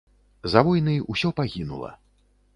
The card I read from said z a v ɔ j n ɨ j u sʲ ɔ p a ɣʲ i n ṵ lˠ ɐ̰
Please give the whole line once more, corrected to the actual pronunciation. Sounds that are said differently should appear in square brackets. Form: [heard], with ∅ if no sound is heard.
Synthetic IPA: z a v ɔ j n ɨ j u sʲ ɔ p a ɣʲ i n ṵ lˠ ɐ̰